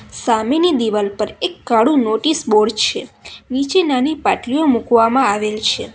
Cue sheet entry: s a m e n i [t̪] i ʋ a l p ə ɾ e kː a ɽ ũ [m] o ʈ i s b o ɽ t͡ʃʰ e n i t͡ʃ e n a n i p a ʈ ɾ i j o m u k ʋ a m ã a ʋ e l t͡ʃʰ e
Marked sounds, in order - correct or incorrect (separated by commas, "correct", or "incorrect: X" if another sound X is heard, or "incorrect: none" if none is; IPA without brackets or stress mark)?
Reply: incorrect: d̪, incorrect: n